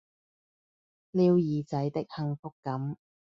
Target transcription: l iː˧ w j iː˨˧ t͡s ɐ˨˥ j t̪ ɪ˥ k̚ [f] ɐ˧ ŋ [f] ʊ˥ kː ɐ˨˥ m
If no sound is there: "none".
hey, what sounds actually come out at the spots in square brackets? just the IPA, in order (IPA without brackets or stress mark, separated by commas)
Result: h, f